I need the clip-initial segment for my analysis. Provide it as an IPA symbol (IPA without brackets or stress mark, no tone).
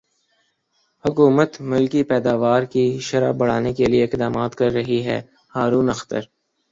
h